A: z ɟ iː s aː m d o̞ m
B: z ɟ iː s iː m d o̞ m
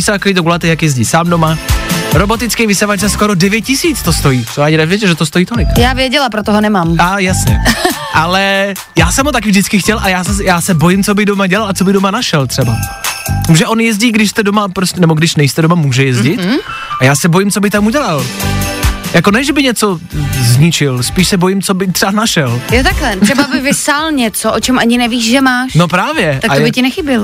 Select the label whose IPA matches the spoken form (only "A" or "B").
A